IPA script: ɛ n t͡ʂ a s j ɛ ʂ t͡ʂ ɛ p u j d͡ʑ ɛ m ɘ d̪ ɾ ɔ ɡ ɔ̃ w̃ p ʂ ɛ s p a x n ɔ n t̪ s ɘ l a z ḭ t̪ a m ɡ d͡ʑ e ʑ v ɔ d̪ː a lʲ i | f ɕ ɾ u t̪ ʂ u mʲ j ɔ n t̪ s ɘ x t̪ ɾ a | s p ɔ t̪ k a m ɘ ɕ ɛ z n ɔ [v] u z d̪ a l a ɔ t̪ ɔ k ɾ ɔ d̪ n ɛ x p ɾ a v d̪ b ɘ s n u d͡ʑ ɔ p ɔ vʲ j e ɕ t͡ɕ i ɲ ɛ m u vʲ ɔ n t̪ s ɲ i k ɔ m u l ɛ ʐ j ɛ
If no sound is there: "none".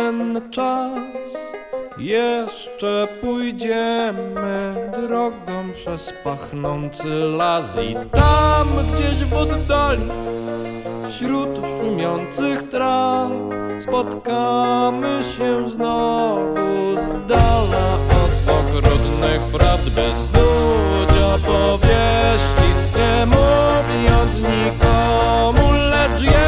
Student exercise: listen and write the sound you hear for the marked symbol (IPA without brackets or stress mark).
v